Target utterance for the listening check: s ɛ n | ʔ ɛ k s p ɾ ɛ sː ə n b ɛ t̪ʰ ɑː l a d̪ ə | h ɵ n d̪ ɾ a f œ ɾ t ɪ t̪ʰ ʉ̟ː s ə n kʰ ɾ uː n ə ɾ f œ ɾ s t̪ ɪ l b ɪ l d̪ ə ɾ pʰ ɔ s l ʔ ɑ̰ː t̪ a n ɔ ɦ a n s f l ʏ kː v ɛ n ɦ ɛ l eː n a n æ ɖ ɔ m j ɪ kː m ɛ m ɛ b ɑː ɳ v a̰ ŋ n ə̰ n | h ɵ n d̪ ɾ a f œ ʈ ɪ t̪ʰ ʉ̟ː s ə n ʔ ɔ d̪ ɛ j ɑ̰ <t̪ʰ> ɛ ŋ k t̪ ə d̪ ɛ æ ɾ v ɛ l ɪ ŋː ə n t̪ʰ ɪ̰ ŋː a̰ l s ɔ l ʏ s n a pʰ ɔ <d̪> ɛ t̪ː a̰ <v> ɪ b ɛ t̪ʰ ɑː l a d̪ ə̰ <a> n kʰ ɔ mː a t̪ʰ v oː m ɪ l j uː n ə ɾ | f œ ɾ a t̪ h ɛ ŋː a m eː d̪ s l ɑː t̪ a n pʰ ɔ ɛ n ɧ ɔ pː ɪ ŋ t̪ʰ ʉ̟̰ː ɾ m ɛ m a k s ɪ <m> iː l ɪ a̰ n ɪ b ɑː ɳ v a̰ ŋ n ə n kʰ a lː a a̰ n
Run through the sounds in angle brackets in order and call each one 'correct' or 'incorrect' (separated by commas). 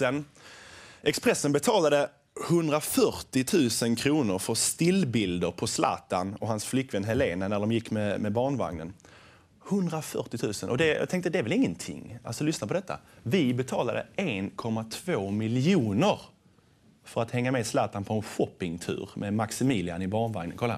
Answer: correct, correct, correct, incorrect, correct